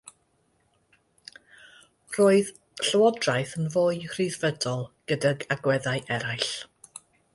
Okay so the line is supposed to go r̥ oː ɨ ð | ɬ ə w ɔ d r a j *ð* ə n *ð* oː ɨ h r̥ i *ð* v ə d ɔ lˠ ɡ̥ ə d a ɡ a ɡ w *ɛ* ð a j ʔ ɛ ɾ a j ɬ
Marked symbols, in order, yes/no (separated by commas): no, no, yes, yes